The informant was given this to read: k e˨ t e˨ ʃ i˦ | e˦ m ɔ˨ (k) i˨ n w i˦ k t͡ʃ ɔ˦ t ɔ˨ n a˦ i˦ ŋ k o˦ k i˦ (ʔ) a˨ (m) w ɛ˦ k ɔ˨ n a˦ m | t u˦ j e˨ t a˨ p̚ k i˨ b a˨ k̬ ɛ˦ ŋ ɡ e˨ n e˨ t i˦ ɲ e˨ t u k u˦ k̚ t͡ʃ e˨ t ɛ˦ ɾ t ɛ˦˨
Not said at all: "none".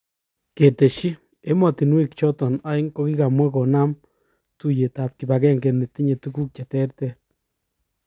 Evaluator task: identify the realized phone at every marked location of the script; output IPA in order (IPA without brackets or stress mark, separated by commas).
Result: t, k, m